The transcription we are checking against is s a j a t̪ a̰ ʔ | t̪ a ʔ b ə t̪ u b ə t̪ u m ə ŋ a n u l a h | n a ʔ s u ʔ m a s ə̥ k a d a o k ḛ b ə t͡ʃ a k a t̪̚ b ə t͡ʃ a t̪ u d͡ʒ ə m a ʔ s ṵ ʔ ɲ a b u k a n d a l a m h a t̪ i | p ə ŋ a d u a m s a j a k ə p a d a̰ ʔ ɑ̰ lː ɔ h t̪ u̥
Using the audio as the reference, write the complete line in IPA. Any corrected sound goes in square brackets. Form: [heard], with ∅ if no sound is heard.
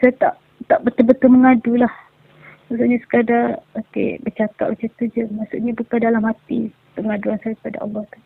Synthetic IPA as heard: s a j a t̪ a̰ ʔ | t̪ a ʔ b ə t̪ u b ə t̪ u m ə ŋ a [d] u l a h | [m] a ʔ s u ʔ [ɲ] a s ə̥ k a d a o k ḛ b ə t͡ʃ a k a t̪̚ b ə t͡ʃ a t̪ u d͡ʒ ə m a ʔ s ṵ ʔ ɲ a b u k a n d a l a m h a t̪ i | p ə ŋ a d u a [n] s a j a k ə p a d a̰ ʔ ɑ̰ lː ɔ h t̪ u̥